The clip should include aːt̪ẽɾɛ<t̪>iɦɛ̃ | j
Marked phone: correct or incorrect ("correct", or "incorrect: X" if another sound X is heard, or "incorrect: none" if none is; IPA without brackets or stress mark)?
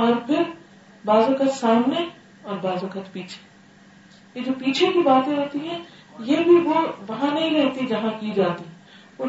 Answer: correct